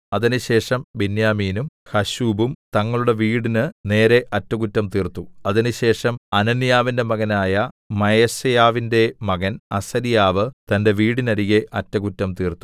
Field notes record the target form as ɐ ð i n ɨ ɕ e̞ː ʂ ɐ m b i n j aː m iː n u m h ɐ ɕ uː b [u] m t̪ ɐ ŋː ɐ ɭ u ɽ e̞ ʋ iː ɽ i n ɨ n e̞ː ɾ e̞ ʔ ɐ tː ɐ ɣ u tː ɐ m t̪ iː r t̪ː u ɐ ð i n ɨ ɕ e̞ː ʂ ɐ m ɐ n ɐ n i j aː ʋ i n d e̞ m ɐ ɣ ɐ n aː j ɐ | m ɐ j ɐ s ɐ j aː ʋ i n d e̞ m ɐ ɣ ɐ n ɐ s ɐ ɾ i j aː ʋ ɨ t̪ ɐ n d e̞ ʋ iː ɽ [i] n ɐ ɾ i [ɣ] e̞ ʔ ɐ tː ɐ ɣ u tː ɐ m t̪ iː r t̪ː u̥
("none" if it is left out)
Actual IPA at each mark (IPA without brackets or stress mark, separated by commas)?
u, i, ɣ